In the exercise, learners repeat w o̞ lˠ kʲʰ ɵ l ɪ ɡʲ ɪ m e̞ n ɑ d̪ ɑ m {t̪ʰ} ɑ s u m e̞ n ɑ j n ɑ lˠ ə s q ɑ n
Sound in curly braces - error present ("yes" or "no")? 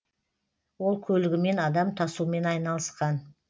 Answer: no